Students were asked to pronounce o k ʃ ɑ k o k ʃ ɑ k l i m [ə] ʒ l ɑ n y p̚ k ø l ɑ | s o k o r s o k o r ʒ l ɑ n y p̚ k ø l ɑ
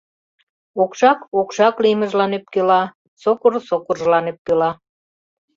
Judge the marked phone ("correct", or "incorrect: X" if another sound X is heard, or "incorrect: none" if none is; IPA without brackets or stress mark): correct